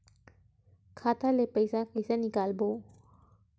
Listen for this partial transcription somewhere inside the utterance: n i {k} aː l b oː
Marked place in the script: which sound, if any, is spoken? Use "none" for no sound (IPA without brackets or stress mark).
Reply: k